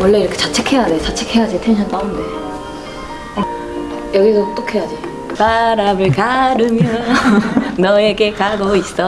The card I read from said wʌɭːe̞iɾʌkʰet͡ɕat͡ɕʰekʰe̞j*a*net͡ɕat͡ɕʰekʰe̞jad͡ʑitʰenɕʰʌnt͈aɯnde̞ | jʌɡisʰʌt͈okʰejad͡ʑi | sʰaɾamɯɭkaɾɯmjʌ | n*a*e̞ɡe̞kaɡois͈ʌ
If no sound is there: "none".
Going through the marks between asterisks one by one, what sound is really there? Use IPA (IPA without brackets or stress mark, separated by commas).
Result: a, ʌ